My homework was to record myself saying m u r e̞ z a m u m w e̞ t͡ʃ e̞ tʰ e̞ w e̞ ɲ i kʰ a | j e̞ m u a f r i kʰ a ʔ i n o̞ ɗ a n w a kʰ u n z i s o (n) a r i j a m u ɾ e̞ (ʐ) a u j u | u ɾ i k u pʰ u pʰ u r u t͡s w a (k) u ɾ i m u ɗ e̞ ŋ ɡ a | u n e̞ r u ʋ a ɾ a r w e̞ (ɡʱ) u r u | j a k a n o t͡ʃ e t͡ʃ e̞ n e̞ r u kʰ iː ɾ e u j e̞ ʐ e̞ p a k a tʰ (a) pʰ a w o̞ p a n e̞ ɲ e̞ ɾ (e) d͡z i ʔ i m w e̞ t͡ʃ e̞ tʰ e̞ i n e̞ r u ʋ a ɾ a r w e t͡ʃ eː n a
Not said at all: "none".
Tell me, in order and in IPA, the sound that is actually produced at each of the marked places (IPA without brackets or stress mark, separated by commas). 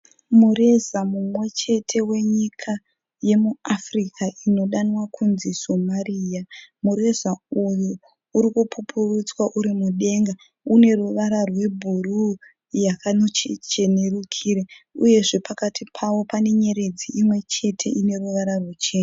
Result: m, z, ʔ, bʱ, i, e